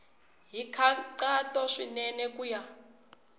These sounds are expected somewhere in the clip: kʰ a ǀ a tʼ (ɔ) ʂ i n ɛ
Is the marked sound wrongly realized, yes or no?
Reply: no